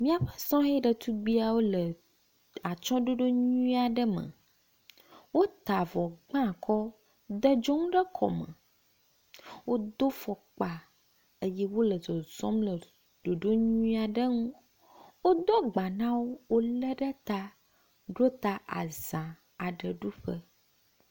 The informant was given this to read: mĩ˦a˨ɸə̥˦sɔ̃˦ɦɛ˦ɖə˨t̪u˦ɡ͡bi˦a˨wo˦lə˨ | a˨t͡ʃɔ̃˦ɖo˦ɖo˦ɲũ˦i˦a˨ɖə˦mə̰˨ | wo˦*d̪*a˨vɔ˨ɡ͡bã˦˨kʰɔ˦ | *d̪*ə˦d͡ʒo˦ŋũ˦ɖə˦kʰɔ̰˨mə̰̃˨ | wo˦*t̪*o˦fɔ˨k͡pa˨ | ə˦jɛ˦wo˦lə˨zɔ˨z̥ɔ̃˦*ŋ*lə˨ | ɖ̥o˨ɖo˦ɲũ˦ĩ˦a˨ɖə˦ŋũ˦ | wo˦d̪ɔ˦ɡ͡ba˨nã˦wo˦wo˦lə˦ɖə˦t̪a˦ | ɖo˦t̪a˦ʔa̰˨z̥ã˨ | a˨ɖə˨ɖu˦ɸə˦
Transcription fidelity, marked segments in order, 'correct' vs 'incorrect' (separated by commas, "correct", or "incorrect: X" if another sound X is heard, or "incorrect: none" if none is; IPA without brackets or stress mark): incorrect: t̪, correct, incorrect: d̪, incorrect: m